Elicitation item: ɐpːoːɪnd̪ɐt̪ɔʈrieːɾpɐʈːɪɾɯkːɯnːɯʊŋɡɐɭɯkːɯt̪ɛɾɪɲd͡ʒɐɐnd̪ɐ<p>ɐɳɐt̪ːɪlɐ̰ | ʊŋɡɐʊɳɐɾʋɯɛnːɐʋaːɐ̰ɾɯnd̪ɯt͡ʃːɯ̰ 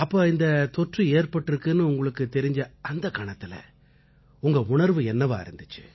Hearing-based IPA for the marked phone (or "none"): k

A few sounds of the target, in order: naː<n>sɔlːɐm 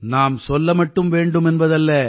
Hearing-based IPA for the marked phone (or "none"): m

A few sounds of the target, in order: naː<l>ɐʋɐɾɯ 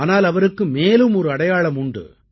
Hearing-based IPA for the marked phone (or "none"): l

